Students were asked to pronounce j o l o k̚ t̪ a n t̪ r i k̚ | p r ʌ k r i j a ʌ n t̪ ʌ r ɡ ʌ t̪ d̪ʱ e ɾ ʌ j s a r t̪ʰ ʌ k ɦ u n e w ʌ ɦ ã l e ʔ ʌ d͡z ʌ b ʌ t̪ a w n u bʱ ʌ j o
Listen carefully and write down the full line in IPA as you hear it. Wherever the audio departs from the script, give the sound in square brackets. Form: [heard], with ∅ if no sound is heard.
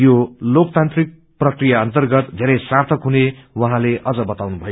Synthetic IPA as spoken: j o l o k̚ t̪ a n t̪ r i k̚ | p r ʌ k r i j a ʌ n t̪ ʌ r ɡ ʌ t̪ d̪ʱ e ɾ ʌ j s a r t̪ʰ ʌ k ɦ u n e w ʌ ɦ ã l e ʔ ʌ d͡z ʌ b ʌ t̪ a w n u bʱ ʌ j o